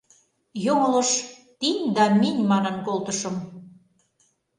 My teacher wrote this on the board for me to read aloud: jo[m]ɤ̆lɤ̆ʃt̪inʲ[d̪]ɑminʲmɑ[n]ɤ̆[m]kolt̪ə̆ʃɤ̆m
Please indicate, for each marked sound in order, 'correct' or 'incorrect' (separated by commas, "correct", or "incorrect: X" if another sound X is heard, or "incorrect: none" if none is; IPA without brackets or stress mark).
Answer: incorrect: ŋ, correct, correct, incorrect: n